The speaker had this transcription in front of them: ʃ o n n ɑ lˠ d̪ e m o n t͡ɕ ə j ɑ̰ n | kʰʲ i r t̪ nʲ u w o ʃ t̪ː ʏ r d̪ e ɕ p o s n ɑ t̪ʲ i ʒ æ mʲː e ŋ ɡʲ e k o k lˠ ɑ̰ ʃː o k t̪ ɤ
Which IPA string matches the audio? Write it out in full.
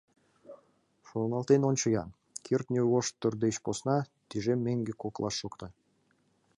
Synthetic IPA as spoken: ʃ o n n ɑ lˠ t̪ e n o n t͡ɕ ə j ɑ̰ n | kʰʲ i r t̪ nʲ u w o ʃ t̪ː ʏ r d̪ e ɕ p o s n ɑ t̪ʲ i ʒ e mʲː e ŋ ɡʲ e k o k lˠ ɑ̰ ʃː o k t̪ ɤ